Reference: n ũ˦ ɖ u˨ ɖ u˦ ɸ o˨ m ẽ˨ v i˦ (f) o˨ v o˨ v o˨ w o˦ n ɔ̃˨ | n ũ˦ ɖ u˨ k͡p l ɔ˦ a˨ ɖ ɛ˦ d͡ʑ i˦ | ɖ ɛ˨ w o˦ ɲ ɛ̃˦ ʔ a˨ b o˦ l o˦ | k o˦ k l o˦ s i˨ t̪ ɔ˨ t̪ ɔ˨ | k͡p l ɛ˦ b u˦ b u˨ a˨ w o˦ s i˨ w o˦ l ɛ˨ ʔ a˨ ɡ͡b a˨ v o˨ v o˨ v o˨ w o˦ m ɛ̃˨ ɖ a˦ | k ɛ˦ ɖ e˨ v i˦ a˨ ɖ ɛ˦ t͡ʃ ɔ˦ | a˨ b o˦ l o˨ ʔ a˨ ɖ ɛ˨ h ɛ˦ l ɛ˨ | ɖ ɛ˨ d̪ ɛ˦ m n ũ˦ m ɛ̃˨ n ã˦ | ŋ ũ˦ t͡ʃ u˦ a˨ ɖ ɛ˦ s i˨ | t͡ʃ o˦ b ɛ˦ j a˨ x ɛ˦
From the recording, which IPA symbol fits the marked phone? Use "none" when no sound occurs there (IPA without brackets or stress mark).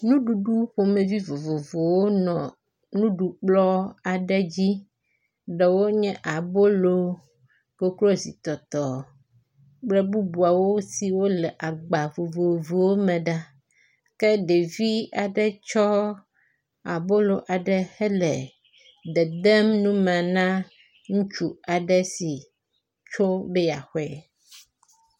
v